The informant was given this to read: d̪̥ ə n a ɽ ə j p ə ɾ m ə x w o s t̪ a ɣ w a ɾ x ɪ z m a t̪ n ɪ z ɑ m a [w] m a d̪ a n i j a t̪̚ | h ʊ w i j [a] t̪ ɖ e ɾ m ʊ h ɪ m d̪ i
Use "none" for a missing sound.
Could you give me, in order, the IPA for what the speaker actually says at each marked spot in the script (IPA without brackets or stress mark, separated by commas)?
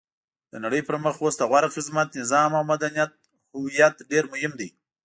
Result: w, a